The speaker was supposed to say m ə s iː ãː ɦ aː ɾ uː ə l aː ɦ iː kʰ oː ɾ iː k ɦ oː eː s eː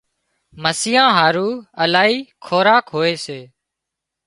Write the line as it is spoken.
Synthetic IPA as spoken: m ə s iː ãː ɦ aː ɾ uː ə l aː ɦ iː kʰ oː ɾ aː k ɦ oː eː s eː